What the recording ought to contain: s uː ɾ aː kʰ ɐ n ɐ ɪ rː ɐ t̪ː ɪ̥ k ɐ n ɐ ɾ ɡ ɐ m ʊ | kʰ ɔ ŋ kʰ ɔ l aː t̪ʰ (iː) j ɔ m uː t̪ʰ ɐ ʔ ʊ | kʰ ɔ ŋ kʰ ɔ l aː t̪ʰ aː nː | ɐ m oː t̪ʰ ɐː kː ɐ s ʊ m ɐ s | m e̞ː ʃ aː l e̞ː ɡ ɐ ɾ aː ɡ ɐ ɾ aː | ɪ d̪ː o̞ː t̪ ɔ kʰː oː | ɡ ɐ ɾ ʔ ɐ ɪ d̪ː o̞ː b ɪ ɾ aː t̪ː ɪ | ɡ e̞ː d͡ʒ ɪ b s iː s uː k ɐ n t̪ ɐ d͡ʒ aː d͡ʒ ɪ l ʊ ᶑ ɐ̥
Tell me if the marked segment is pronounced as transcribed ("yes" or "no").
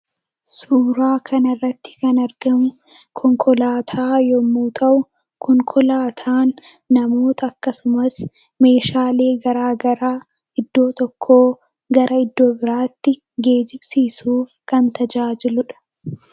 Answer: no